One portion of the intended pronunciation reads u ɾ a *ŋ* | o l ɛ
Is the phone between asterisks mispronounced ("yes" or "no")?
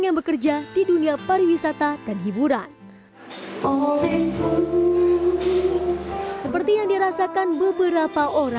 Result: yes